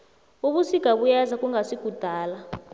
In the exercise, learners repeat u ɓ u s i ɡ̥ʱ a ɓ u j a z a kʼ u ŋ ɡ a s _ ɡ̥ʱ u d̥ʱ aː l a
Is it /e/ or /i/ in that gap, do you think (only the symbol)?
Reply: i